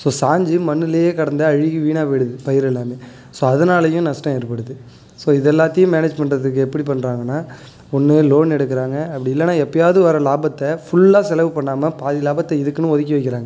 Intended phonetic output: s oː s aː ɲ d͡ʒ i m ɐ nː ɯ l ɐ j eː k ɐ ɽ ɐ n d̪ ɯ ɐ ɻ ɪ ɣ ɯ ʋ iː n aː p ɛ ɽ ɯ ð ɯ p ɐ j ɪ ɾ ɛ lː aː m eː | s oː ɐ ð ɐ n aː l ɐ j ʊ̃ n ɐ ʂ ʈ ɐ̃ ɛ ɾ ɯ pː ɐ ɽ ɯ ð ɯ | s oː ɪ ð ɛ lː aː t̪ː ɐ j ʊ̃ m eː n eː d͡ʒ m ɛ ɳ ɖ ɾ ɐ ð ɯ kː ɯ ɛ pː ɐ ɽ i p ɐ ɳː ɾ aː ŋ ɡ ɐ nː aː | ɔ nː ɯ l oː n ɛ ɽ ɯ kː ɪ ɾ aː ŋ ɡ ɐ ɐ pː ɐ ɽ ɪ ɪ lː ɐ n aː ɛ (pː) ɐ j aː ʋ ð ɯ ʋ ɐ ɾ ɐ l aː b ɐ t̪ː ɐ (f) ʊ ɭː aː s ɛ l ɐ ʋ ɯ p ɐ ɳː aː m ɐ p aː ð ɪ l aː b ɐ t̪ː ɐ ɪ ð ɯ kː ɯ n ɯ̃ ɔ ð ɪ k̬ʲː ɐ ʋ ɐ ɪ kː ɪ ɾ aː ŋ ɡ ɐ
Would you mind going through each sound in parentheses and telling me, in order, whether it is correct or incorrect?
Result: correct, correct

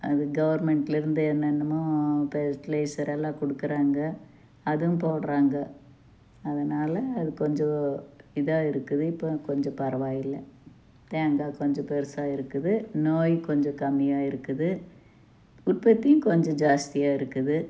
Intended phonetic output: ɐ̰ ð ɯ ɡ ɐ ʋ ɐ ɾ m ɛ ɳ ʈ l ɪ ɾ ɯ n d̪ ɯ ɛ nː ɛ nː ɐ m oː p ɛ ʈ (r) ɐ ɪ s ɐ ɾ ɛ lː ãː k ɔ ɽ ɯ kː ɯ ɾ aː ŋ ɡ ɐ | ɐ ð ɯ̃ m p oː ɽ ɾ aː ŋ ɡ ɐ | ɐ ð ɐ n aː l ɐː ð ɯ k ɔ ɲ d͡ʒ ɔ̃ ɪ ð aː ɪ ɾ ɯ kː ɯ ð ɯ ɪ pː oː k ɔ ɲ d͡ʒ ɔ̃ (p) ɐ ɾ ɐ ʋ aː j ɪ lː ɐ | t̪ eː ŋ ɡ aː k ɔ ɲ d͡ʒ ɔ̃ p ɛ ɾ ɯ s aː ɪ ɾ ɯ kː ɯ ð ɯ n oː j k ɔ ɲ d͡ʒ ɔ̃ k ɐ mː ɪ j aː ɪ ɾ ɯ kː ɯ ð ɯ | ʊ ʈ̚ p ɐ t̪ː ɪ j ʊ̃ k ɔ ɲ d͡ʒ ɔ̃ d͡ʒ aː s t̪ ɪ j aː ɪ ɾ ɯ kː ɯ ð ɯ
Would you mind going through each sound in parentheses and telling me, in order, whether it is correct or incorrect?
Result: incorrect: l, correct

